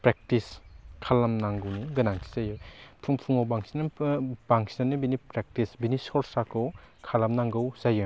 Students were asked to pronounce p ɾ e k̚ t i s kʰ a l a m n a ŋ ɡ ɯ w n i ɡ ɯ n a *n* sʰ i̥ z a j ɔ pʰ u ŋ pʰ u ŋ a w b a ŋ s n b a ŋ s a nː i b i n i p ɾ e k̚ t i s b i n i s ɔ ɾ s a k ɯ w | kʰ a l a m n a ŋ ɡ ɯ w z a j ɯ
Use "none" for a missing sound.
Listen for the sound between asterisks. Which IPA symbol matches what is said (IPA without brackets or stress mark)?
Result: ŋ